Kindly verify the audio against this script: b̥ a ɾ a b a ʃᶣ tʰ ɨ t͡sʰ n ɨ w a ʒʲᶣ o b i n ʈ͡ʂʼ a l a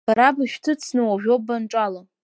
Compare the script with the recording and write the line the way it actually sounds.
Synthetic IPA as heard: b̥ a ɾ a b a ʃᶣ tʰ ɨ t͡sʰ n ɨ w a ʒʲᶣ o b a n ʈ͡ʂʼ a l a